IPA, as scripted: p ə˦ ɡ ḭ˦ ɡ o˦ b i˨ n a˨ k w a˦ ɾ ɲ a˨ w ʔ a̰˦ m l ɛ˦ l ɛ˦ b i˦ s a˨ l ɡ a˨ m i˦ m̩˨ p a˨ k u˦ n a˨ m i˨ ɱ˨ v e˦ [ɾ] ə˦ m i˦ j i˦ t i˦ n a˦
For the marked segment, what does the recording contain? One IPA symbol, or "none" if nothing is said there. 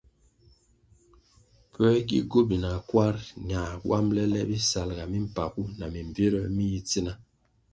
ɾ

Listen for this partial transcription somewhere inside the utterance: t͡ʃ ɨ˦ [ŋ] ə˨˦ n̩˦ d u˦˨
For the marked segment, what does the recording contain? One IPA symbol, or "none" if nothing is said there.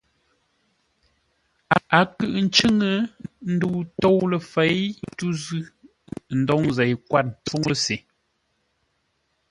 ŋ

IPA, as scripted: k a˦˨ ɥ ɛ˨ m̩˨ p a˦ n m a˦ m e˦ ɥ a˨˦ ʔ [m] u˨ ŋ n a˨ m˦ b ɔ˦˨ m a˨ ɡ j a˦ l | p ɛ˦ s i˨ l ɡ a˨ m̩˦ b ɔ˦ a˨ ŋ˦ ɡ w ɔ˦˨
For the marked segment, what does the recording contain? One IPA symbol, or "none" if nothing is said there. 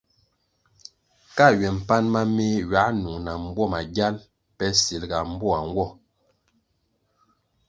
n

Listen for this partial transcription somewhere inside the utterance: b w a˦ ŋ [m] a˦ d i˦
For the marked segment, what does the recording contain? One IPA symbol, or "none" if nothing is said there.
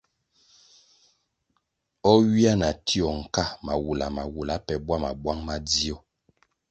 m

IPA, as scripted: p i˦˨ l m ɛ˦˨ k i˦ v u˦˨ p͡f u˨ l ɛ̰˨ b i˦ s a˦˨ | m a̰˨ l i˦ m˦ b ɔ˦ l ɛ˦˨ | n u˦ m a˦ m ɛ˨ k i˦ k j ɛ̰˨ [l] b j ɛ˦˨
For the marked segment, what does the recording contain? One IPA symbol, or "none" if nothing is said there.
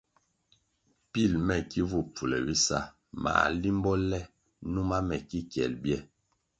l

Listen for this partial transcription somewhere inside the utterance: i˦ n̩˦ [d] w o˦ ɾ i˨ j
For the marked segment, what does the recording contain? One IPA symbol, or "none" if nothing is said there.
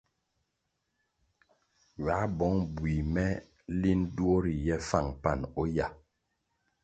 d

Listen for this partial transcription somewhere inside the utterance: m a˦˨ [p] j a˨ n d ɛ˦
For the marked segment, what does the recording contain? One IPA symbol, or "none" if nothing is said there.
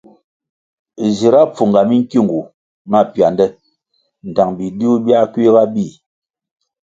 p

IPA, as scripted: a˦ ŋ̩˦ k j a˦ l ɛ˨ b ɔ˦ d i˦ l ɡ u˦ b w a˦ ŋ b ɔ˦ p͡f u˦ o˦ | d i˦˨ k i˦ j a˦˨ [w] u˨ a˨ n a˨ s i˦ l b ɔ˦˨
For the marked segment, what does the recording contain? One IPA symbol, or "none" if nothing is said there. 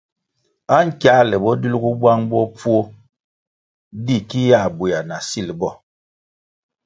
b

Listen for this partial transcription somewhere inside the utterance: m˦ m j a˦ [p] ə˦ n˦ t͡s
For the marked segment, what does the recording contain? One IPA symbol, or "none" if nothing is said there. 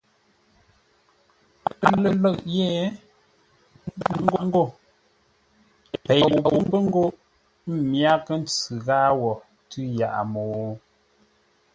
k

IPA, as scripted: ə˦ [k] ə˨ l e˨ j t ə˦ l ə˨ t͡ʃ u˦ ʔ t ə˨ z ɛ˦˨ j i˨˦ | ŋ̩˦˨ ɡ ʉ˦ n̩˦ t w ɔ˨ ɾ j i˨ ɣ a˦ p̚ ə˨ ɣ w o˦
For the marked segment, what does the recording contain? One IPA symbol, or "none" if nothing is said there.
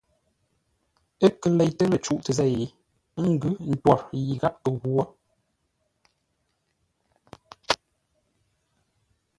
k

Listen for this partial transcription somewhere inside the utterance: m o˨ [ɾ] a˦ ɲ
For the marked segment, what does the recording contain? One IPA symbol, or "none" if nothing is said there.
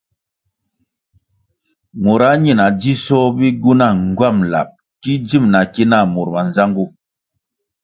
ɾ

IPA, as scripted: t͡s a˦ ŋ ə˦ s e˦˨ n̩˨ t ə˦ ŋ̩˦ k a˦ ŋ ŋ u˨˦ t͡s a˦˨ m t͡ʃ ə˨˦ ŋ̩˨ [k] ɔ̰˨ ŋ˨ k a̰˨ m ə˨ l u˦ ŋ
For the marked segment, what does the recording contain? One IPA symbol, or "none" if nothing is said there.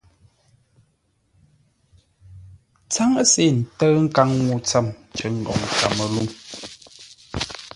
ɡ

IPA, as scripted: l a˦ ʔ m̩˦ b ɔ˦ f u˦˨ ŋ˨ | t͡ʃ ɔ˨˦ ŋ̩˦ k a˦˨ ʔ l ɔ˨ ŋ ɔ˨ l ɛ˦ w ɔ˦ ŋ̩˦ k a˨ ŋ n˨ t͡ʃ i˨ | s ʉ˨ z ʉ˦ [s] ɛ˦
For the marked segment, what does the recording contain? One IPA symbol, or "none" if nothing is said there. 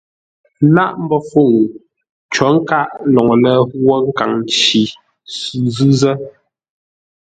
z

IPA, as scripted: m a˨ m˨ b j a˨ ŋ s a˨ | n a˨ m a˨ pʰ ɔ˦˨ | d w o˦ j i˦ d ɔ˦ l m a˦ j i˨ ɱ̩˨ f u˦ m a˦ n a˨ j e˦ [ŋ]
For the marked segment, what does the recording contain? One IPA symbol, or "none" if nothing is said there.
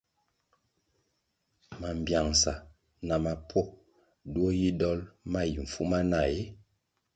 none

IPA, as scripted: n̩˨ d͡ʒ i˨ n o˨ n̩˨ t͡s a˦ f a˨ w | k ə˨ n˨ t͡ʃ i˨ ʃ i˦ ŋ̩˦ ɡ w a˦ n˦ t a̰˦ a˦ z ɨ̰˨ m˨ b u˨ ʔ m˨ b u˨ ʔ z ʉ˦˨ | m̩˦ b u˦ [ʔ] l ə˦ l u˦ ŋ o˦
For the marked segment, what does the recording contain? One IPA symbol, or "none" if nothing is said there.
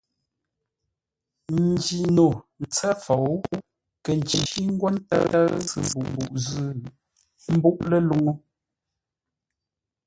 ʔ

